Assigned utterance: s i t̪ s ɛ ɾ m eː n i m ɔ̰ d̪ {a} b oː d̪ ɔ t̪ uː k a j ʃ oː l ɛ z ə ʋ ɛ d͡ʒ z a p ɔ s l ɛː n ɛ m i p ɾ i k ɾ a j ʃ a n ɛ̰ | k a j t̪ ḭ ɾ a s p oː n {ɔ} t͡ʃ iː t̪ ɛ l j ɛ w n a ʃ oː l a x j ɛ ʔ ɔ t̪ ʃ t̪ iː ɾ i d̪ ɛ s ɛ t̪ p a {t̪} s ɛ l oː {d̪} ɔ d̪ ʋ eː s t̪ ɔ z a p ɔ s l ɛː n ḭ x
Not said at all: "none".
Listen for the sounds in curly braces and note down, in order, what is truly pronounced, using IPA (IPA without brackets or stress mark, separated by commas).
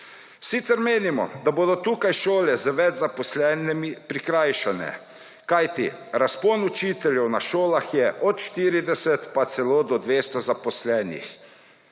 a, u, t̪, d̪